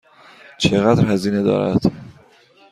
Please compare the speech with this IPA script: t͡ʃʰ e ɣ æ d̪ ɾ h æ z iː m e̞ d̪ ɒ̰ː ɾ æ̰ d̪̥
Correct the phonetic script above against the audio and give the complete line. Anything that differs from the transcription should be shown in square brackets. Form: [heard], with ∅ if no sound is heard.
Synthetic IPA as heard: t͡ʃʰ e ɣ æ d̪ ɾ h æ z iː [n] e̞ d̪ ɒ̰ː ɾ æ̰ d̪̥